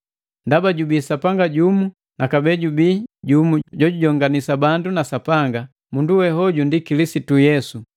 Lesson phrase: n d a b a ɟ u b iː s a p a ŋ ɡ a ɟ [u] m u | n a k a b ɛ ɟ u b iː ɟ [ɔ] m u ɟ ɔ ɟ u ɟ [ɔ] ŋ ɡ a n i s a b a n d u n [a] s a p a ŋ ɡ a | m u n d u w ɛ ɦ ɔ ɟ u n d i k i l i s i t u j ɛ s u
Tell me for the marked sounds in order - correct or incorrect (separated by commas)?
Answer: correct, incorrect, correct, correct